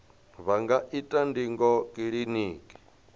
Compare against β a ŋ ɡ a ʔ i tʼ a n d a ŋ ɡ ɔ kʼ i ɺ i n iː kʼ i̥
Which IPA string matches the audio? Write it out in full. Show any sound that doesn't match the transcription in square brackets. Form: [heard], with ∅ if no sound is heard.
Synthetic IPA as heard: β a ŋ ɡ a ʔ i tʼ a n d [i] ŋ ɡ ɔ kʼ i ɺ i n iː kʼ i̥